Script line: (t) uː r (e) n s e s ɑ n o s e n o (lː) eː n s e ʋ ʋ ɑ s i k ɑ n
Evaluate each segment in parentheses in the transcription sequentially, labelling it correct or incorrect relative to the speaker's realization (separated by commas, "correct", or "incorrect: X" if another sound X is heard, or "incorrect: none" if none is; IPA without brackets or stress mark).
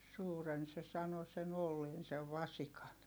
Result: incorrect: s, correct, correct